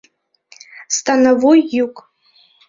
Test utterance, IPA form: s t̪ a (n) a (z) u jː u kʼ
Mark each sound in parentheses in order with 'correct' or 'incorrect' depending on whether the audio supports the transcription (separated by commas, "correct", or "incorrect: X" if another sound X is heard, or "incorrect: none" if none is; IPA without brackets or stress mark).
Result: correct, incorrect: v